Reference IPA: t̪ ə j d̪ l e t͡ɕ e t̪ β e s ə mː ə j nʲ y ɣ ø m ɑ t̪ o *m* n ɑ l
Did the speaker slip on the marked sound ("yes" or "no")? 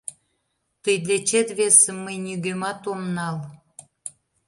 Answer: no